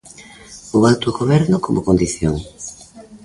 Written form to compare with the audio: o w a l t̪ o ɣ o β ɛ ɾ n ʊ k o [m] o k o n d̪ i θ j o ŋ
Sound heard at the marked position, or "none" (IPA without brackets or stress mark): m